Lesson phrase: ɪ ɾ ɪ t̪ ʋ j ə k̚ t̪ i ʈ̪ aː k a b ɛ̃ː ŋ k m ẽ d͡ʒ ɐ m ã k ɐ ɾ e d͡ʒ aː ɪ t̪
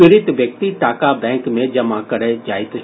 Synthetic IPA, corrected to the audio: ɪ ɾ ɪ t̪ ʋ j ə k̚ t̪ i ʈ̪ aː k a b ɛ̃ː ŋ k m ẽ d͡ʒ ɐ m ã k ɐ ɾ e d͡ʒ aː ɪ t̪